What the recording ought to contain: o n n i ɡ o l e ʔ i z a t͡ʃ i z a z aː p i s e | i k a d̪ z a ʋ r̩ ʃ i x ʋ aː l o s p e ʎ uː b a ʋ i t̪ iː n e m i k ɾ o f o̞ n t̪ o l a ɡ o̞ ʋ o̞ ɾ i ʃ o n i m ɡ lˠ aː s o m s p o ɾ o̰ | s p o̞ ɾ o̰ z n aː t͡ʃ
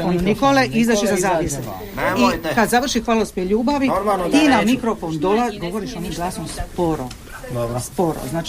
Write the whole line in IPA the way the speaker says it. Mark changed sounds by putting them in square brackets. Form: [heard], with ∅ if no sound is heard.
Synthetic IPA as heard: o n n i [k] o l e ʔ i z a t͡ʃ i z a z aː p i s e | i k a d̪ z a ʋ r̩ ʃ i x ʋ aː l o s p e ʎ uː b a ʋ i t̪ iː n [a] m i k ɾ o f o̞ n [d̪] o l a ɡ o̞ ʋ o̞ ɾ i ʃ o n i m ɡ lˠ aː s o m s p o ɾ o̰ | s p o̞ ɾ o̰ z n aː t͡ʃ